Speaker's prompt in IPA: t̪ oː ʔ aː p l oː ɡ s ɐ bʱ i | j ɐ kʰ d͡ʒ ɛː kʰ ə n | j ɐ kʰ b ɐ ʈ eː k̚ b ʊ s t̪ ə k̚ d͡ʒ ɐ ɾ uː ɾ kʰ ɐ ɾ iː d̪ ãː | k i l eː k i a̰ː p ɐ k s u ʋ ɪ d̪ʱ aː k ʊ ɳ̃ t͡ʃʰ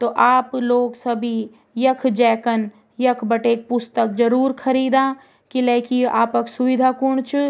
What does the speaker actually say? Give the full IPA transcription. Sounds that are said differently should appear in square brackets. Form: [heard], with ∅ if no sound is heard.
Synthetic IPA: t̪ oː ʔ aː p l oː ɡ s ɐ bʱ i | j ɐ kʰ d͡ʒ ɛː [k] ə n | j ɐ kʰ b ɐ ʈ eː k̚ [p] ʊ s t̪ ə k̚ d͡ʒ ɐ ɾ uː ɾ kʰ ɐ ɾ iː d̪ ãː | k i l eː k i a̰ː p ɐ k s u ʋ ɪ d̪ʱ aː k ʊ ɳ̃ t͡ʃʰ